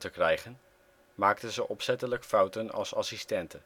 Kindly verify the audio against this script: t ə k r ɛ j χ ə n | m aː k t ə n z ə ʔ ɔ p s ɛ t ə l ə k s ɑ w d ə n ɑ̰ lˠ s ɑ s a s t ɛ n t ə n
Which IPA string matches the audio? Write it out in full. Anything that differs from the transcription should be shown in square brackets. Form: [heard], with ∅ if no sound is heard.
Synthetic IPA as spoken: t ə k r ɛ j χ ə n | m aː k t ə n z ə ʔ ɔ p s ɛ t ə l ə k [f] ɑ w [t] ə n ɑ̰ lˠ s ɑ s [i] s t ɛ n t ə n